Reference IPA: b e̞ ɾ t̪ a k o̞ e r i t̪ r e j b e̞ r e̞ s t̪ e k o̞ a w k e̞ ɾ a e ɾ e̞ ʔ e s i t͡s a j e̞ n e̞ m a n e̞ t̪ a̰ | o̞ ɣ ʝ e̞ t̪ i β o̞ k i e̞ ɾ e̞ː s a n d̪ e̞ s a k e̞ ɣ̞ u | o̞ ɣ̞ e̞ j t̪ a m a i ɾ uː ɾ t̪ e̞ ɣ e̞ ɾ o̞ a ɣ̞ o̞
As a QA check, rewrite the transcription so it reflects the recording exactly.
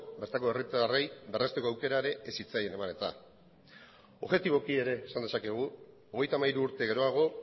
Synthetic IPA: b e̞ ɾ t̪ a k o̞ e r i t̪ r e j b e̞ r e̞ s t̪ e k o̞ a w k e̞ ɾ a e ɾ e̞ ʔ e s i t͡s a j e̞ n e̞ m a n e̞ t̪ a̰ | o̞ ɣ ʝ e̞ t̪ i β o̞ k i e̞ ɾ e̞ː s a n d̪ e̞ s a k e̞ ɣ̞ u | o̞ ɣ̞ e̞ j t̪ a m a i ɾ uː ɾ t̪ e̞ ɣ e̞ ɾ o̞ a ɣ̞ o̞